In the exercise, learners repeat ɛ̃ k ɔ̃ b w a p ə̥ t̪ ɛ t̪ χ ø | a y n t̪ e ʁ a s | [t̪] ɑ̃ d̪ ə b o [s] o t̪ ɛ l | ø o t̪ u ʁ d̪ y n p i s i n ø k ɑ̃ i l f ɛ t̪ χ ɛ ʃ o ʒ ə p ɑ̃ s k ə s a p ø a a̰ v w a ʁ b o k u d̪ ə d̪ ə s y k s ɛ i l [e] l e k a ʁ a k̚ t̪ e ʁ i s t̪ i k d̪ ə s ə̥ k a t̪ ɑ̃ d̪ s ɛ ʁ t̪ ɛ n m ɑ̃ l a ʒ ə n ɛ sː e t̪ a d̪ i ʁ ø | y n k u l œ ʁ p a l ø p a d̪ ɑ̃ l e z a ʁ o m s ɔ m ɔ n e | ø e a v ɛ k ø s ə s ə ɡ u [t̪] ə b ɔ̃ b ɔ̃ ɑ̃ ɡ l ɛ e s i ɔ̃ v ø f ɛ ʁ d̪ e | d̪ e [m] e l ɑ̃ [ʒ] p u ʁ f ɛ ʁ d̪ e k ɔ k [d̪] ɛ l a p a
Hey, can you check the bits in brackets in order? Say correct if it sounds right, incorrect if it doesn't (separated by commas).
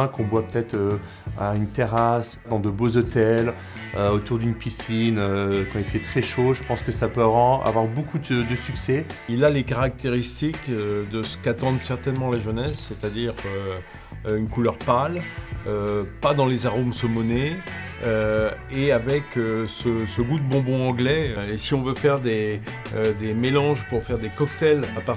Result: incorrect, incorrect, incorrect, incorrect, correct, correct, incorrect